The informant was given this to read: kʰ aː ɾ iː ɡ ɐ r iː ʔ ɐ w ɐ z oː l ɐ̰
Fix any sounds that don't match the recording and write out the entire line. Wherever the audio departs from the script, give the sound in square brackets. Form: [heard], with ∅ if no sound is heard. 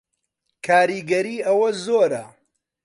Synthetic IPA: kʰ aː ɾ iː ɡ ɐ [ɾ] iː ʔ ɐ w ɐ z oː [ɾ] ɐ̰